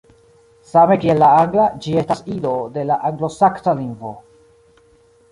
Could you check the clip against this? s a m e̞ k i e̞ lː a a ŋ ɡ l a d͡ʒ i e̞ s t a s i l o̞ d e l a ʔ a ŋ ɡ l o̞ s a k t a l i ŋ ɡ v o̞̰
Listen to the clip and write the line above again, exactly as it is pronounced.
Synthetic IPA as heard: s a m e̞ k i e̞ lː a a ŋ ɡ l a d͡ʒ i e̞ s t a s i l o̞ d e l a ʔ a ŋ ɡ l o̞ s a k t a l i ŋ ɡ v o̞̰